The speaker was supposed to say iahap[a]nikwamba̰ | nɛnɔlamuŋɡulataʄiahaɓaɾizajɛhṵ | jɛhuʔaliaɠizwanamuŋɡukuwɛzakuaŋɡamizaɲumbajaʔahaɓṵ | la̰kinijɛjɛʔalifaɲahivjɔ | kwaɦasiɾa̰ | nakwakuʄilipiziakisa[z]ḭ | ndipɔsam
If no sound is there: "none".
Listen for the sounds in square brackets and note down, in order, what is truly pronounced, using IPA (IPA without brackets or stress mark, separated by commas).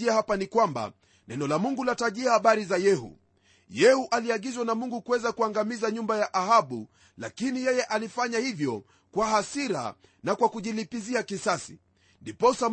a, s